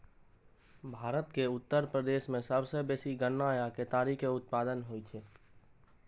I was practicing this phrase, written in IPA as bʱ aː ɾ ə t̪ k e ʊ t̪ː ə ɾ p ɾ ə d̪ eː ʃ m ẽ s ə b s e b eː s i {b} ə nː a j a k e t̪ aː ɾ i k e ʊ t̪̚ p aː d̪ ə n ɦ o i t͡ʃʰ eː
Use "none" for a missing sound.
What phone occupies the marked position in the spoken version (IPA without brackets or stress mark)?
ɡ